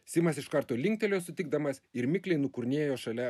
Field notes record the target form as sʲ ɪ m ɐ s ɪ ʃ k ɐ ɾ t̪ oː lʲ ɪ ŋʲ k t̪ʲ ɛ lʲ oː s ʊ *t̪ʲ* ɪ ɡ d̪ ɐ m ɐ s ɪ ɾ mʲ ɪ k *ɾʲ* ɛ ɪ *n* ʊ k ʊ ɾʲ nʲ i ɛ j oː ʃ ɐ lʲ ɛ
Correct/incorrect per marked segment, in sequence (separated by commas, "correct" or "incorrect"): correct, incorrect, correct